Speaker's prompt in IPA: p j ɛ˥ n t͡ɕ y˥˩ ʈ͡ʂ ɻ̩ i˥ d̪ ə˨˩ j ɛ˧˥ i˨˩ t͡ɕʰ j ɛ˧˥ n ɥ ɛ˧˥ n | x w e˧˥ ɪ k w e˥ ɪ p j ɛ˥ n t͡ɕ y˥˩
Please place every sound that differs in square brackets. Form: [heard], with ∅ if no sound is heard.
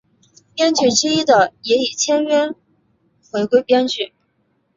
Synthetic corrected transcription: p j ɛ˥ n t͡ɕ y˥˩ ʈ͡ʂ ɻ̩ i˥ d̪ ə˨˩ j ɛ˧˥ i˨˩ t͡ɕʰ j [ɛ˥] n ɥ [ɛ˥] n | x w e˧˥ ɪ k w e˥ ɪ p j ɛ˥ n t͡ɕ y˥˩